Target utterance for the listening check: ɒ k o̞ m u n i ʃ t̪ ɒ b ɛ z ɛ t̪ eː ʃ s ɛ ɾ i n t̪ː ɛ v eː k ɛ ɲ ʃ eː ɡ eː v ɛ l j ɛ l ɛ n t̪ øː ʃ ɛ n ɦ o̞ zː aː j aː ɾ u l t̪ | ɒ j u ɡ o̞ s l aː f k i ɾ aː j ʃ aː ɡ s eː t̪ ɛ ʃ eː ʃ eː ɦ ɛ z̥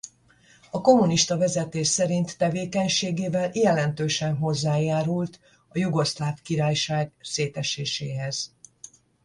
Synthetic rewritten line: ɒ k o̞ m u n i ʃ t̪ ɒ v ɛ z ɛ t̪ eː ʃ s ɛ ɾ i n t̪ː ɛ v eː k ɛ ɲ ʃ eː ɡ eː v ɛ l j ɛ l ɛ n t̪ øː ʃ ɛ n ɦ o̞ zː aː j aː ɾ u l t̪ | ɒ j u ɡ o̞ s l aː f k i ɾ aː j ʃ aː ɡ s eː t̪ ɛ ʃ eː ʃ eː ɦ ɛ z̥